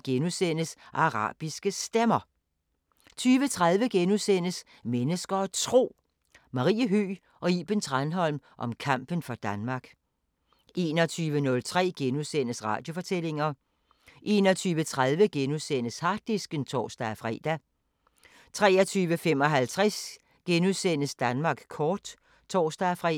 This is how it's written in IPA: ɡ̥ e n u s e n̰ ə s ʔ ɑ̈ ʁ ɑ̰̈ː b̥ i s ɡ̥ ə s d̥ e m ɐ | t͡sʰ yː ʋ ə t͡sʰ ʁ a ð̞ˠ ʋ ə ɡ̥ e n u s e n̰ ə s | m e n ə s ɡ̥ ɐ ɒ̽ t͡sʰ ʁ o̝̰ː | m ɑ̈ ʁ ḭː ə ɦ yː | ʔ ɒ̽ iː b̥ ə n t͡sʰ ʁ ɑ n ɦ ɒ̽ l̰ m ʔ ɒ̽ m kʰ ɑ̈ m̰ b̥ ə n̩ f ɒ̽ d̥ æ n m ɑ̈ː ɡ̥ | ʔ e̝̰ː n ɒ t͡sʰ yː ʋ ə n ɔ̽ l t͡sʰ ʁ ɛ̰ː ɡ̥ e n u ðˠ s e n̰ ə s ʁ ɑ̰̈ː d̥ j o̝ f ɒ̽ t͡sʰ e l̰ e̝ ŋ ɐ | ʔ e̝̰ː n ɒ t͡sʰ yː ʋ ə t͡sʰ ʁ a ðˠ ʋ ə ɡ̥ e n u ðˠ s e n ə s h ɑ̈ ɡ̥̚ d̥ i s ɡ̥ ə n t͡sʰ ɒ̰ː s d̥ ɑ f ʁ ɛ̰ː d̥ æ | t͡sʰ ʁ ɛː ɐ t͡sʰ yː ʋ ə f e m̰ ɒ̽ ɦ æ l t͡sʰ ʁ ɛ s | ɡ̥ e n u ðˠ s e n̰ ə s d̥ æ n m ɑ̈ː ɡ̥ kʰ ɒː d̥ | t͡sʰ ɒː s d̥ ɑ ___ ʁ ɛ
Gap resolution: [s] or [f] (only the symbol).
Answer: f